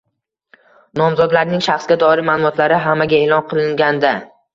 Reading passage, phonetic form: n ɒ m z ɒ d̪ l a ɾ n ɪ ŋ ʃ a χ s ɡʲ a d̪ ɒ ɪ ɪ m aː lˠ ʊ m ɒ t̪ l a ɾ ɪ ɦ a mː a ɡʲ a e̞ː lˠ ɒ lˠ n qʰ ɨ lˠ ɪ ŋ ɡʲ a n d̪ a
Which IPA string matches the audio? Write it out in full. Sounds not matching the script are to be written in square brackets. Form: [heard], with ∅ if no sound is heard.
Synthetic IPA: n ɒ m z ɒ d̪ l a ɾ n ɪ ŋ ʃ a χ s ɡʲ a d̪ ɒ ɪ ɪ m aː lˠ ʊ m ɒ t̪ l a ɾ ɪ ɦ a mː a ɡʲ a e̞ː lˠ ɒ [∅] n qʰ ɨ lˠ ɪ ŋ ɡʲ a n d̪ a

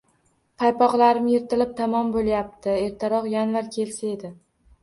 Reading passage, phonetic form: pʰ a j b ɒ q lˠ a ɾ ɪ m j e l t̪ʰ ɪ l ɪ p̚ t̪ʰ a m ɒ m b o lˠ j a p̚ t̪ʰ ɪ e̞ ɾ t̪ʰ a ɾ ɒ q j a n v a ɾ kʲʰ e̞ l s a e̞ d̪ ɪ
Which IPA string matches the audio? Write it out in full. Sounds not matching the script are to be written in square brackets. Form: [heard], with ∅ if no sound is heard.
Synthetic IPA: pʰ a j [p] ɒ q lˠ a ɾ ɪ m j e [ɾ] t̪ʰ ɪ l ɪ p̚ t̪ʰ a m ɒ m b o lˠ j a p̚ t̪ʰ ɪ e̞ ɾ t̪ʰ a ɾ ɒ q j a n v a ɾ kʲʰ e̞ l s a e̞ d̪ ɪ

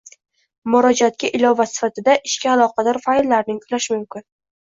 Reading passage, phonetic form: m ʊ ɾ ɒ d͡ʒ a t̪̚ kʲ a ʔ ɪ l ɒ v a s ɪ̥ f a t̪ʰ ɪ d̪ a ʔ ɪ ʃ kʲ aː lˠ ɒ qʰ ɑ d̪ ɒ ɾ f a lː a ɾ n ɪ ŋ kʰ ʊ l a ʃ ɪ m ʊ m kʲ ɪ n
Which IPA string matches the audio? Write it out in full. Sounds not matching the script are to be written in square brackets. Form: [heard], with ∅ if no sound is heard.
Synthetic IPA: m ʊ ɾ ɒ d͡ʒ a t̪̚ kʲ a ʔ ɪ l ɒ v a s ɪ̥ f a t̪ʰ ɪ d̪ a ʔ ɪ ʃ kʲ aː lˠ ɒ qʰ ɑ d̪ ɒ ɾ f a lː a ɾ n ɪ ŋ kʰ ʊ l a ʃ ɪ m ʊ m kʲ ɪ n

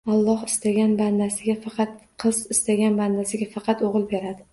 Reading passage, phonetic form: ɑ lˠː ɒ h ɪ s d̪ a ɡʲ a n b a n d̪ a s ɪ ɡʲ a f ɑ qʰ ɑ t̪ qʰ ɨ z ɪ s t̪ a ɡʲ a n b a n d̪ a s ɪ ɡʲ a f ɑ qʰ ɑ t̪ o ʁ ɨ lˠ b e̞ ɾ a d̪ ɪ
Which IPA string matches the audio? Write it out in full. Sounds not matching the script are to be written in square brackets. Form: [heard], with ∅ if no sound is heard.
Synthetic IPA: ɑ lˠː ɒ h ɪ s [t̪] a ɡʲ a n b a n d̪ a s ɪ ɡʲ a f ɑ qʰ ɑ t̪ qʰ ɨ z ɪ s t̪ a ɡʲ a n b a n d̪ a s ɪ ɡʲ a f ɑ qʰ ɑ t̪ o ʁ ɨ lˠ b e̞ ɾ a d̪ ɪ

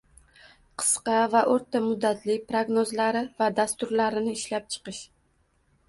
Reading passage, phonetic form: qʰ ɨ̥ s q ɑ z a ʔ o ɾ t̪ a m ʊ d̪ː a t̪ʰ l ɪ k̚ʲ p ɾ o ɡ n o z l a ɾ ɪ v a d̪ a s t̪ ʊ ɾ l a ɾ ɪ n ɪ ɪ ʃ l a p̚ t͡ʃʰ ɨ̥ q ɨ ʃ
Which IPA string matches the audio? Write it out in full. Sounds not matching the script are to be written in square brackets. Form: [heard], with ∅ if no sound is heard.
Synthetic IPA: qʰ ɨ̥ s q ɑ [v] a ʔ o ɾ t̪ a m ʊ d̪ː a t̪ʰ l ɪ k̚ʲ p ɾ o ɡ n o z l a ɾ ɪ v a d̪ a s t̪ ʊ ɾ l a ɾ ɪ n ɪ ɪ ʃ l a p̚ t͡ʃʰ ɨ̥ q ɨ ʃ

